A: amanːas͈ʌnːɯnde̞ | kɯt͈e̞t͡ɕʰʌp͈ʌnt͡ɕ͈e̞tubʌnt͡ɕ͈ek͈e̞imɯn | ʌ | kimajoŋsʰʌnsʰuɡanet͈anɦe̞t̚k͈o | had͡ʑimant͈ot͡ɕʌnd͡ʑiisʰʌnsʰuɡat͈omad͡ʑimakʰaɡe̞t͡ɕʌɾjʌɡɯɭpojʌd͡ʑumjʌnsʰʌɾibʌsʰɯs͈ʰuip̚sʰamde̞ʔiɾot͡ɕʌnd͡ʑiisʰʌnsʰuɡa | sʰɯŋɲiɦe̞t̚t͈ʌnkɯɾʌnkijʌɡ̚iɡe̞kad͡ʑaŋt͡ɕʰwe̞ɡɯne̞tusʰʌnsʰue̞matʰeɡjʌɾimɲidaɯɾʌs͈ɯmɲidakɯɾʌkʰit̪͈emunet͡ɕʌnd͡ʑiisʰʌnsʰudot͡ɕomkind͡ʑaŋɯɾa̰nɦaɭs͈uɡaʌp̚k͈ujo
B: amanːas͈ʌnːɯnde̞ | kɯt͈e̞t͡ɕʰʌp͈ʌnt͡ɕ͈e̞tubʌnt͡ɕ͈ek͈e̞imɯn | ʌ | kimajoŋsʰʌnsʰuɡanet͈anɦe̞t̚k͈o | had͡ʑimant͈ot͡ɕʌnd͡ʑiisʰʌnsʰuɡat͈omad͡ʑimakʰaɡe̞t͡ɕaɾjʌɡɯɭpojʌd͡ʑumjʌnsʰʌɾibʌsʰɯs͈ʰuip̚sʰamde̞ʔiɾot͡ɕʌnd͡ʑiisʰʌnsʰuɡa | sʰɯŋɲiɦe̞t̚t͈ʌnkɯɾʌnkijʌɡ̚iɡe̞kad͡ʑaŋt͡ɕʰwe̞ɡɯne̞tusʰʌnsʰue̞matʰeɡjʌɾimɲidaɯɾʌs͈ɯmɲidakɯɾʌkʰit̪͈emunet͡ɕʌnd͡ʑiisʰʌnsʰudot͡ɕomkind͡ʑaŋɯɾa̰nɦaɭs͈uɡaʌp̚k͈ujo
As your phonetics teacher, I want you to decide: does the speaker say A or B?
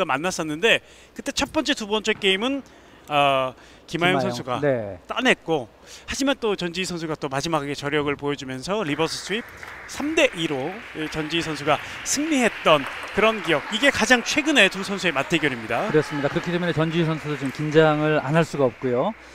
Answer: A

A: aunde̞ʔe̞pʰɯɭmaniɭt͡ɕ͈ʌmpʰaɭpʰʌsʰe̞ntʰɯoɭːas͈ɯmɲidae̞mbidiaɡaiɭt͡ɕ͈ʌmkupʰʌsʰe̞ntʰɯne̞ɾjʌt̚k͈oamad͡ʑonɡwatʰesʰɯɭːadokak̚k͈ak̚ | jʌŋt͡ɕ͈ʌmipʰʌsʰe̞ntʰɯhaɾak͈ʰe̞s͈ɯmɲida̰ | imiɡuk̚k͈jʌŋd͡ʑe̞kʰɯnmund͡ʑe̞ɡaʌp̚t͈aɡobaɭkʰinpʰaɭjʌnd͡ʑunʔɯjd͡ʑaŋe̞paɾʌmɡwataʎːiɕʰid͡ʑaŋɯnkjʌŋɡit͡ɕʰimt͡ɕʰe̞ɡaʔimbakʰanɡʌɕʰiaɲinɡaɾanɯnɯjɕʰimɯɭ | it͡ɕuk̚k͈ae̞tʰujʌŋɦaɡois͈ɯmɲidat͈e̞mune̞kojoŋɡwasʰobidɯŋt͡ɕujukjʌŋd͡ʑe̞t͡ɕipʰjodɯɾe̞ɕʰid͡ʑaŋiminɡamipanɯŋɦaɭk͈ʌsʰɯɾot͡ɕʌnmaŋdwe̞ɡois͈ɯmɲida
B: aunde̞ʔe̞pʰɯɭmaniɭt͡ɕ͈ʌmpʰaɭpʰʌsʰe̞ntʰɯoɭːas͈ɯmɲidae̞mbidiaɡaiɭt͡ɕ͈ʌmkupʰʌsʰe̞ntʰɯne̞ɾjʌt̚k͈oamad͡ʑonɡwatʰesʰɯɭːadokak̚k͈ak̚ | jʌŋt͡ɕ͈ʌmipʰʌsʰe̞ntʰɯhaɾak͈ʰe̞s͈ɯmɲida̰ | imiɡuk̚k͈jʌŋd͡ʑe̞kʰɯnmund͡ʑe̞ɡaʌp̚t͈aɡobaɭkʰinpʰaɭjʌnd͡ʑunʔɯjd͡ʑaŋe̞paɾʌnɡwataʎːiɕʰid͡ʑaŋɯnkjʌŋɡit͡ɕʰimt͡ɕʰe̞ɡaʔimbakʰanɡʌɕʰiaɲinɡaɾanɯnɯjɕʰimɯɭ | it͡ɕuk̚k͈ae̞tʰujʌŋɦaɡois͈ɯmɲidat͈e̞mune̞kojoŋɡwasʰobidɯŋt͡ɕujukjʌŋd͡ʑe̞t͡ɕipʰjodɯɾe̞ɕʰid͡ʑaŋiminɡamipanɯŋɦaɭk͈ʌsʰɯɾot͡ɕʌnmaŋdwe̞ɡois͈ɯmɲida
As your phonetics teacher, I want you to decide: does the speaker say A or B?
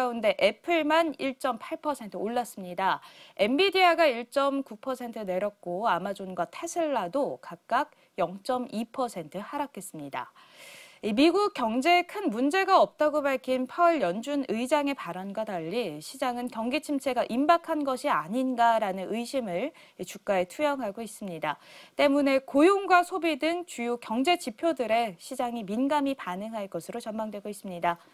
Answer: B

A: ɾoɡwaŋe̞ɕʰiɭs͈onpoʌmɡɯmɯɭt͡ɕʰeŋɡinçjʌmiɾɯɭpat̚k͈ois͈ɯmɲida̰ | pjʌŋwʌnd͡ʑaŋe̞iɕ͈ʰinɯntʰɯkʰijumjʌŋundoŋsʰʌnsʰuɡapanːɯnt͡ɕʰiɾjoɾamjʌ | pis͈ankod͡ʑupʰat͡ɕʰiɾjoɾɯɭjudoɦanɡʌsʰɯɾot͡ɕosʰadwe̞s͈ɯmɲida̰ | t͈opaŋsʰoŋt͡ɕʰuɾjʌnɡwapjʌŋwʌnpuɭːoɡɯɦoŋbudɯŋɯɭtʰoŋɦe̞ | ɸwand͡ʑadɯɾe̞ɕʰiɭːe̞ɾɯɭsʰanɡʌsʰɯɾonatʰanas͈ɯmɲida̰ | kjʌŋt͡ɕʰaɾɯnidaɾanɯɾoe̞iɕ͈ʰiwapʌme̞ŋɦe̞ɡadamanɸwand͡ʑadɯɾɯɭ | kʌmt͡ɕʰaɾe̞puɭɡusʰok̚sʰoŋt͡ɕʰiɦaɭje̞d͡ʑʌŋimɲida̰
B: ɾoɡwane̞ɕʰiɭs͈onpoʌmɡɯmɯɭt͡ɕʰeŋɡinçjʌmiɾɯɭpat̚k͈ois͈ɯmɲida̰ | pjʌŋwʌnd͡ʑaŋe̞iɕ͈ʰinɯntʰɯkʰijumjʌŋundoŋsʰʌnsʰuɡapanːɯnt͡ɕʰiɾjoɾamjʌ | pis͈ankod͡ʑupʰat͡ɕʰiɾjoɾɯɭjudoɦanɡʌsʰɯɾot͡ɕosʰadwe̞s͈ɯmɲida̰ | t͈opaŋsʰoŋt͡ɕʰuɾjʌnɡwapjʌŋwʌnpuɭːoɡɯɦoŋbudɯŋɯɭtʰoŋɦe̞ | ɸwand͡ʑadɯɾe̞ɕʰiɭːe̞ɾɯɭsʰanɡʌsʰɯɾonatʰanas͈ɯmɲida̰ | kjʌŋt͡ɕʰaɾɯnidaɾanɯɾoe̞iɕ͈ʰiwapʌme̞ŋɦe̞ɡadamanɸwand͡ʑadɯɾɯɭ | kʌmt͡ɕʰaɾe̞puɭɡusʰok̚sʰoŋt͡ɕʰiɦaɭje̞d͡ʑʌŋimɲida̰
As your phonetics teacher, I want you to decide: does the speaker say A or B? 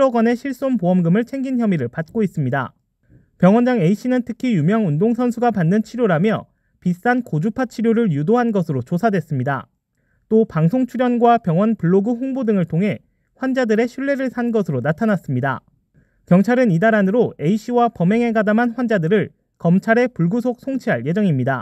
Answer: B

